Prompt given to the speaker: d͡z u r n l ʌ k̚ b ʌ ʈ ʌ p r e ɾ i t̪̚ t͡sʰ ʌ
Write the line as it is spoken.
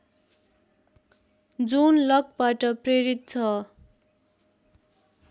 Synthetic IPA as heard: d͡z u n l ʌ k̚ b a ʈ ʌ p r e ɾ i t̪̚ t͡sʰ ʌ